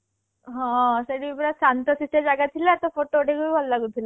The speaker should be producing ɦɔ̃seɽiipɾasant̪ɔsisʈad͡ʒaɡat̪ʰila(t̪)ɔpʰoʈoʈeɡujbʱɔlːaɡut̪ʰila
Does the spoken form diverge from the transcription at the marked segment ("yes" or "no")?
no